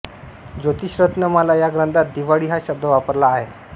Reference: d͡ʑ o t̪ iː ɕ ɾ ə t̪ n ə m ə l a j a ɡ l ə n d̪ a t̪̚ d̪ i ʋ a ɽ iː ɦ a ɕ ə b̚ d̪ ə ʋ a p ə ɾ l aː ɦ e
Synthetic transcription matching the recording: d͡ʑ o t̪ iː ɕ ɾ ə t̪ n ə m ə l a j a ɡ ɾ ə n d̪ a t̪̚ d̪ i ʋ a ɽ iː ɦ a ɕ ə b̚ d̪ ə ʋ a p ə ɾ l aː ɦ e